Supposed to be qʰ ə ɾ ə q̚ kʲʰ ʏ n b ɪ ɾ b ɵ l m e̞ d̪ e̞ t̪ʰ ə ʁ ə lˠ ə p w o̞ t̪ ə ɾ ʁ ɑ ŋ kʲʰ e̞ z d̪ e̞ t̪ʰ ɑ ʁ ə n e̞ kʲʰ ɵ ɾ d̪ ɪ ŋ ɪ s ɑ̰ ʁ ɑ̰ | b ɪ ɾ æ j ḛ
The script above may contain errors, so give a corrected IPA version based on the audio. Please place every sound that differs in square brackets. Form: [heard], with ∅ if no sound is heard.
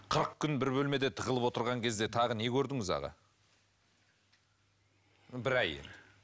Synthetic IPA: qʰ ə ɾ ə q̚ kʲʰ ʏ n b ɪ ɾ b ɵ l m e̞ d̪ e̞ t̪ʰ ə ʁ ə lˠ ə p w o̞ t̪ ə ɾ ʁ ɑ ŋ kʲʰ e̞ z d̪ e̞ t̪ʰ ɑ ʁ ə n e̞ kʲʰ ɵ ɾ d̪ ɪ ŋ ɪ [z] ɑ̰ ʁ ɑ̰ | b ɪ ɾ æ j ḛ